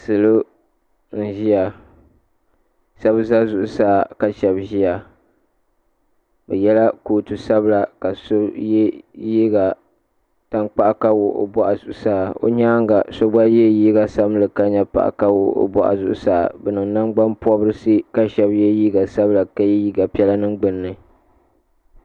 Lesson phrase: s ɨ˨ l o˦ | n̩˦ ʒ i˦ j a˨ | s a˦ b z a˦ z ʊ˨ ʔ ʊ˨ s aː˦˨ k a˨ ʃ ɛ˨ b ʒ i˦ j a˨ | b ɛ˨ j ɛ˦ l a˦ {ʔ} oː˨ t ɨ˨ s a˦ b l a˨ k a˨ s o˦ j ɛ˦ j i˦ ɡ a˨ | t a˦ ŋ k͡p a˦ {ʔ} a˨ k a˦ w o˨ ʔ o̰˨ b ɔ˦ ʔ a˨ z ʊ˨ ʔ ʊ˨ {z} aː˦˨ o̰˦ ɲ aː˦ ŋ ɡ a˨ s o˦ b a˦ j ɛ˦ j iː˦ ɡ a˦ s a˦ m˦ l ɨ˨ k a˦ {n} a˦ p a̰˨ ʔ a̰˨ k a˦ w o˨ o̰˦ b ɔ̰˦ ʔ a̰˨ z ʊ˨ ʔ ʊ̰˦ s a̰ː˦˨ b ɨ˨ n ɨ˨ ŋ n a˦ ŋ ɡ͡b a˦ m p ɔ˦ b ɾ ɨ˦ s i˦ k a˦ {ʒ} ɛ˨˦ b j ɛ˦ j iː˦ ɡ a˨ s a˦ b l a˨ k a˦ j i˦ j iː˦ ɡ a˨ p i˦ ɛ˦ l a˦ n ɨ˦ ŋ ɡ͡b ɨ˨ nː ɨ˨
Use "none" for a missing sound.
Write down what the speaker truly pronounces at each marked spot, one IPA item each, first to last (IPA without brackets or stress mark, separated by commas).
k, ʔ, s, ɲ, ʃ